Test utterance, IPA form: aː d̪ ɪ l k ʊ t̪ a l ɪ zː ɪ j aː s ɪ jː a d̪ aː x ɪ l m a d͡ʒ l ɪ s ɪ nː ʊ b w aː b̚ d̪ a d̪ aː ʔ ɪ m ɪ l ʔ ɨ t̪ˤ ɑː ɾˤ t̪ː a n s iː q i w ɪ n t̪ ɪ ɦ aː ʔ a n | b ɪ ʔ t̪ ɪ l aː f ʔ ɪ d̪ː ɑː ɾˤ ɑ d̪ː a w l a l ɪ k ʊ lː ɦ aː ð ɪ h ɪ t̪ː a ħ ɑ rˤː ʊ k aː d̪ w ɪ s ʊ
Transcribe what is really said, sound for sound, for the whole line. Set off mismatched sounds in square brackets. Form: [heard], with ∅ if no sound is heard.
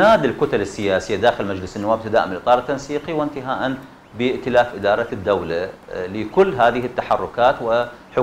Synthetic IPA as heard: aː d̪ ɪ l k ʊ t̪ a l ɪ [sː] ɪ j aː s ɪ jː a d̪ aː x ɪ l m a d͡ʒ l ɪ s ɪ nː ʊ [∅] w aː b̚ [t̪] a d̪ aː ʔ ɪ m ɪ l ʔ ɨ t̪ˤ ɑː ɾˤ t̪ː a n s iː q i w ɪ n t̪ ɪ ɦ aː ʔ a n | b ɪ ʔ t̪ ɪ l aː f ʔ ɪ [d̪] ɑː ɾˤ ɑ d̪ː a w l a l ɪ k ʊ lː ɦ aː ð ɪ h ɪ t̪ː a ħ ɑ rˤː ʊ k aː [t̪] w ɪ [ħ] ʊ